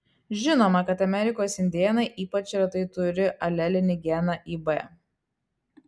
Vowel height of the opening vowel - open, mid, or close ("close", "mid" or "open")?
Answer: close